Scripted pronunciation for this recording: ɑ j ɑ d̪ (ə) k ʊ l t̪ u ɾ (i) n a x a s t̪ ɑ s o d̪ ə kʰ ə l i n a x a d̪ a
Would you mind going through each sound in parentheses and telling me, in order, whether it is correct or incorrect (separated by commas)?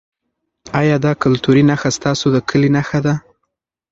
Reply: incorrect, correct